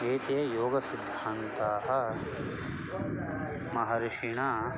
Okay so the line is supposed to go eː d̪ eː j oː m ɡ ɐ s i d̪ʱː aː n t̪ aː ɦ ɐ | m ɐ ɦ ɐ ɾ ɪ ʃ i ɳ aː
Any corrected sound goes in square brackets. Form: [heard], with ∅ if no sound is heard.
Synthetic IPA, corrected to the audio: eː [t̪] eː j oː [∅] ɡ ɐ s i d̪ʱː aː n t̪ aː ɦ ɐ | m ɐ ɦ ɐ ɾ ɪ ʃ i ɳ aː